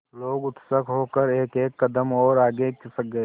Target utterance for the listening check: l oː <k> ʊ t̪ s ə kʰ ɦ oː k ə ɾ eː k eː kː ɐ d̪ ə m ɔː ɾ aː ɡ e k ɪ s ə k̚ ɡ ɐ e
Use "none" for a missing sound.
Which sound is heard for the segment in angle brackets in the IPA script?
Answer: ɡ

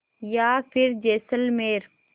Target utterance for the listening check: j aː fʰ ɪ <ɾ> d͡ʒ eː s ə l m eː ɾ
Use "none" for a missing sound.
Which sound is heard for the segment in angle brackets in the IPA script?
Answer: ɾ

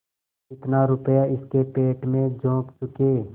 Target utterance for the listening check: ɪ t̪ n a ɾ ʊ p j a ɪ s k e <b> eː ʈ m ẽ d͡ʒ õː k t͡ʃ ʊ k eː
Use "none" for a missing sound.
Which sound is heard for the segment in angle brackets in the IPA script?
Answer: p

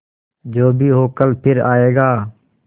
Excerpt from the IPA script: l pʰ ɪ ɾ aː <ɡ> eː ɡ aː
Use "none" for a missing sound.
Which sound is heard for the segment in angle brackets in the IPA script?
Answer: none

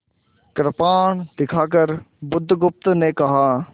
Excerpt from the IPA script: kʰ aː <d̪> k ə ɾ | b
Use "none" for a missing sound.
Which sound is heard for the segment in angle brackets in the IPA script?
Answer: none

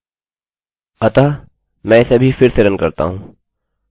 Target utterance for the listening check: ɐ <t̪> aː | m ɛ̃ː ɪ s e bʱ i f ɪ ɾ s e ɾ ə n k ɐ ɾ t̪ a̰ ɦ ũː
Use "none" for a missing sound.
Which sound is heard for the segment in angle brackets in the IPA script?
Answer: t̪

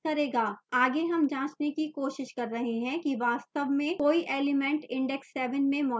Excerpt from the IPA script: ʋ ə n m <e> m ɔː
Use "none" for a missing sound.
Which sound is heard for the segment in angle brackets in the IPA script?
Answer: ẽ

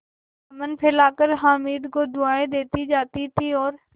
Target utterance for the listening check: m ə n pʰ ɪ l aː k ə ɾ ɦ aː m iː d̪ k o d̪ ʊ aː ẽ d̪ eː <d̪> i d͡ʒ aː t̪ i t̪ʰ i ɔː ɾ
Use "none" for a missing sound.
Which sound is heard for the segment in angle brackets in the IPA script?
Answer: t̪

